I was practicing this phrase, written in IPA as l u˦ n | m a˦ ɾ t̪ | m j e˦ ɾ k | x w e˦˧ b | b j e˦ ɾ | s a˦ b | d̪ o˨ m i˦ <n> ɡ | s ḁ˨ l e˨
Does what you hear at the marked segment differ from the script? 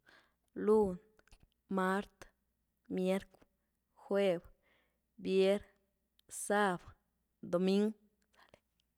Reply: yes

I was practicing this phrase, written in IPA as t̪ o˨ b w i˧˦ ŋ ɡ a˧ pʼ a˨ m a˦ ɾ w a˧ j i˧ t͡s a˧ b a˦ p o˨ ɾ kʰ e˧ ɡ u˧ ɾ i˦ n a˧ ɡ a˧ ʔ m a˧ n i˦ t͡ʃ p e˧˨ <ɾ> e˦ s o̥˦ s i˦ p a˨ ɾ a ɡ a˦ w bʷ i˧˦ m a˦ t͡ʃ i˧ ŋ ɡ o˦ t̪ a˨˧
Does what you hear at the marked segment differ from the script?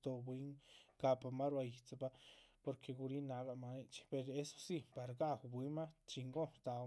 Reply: no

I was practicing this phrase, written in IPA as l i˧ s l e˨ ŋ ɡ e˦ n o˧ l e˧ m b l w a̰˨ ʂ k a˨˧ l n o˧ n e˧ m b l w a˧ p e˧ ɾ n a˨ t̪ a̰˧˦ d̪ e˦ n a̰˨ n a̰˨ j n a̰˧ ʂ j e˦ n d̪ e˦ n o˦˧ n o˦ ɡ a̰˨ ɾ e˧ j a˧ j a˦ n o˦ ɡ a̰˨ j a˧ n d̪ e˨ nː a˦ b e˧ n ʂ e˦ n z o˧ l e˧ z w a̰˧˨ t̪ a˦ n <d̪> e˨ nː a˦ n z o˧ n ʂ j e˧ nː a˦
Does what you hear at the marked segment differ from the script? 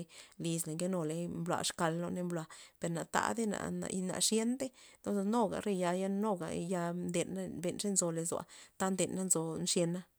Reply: no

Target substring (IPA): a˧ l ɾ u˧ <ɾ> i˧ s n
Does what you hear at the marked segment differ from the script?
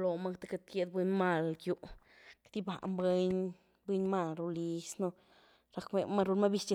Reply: yes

